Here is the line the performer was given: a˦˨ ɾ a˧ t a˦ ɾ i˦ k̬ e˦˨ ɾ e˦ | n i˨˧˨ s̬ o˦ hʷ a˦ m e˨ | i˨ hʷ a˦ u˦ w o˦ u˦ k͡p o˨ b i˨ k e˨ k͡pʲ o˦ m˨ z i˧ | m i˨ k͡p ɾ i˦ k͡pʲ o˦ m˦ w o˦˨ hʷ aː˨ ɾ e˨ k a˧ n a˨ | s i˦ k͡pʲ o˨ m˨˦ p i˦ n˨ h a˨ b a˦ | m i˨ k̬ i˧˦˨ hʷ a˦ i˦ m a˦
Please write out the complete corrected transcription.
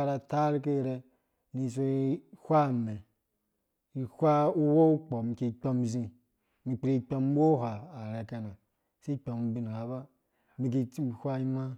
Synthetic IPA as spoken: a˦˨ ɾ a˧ t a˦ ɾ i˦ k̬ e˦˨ ɾ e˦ | n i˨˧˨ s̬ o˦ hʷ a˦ m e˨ | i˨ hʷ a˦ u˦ w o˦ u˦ k͡p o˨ m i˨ k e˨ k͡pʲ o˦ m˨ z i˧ | m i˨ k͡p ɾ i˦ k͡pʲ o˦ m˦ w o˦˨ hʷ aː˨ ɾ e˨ k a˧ n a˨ | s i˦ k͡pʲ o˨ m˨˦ b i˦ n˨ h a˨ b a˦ | m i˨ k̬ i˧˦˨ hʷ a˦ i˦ m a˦